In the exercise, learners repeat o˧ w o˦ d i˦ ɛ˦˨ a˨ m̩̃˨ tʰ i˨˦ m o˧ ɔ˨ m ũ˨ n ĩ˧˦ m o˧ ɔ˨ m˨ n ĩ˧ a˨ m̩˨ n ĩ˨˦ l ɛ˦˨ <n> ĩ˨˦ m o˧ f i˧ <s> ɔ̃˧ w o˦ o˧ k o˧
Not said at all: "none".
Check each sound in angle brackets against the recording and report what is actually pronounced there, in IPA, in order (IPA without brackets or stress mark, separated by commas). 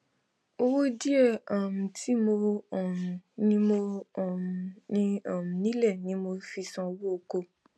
n, s